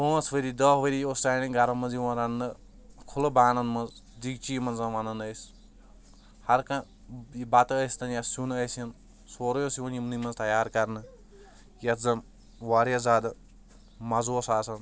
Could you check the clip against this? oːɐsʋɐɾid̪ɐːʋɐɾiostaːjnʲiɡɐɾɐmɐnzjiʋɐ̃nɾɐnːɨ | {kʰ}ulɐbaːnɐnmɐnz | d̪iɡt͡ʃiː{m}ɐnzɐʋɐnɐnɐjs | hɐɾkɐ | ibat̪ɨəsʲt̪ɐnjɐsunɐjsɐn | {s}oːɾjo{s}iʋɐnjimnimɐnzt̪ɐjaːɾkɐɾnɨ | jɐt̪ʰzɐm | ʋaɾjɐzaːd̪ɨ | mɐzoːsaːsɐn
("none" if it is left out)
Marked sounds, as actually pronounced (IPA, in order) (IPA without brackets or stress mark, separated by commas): kʰ, m, s, s